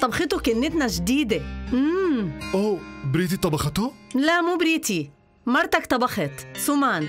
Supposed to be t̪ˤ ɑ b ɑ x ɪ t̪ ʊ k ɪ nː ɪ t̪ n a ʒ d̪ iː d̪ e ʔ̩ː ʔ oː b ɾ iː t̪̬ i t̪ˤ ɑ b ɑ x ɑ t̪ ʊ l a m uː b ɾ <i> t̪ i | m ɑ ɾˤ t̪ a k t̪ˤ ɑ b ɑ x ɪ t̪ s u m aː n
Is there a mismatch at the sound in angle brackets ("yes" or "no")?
yes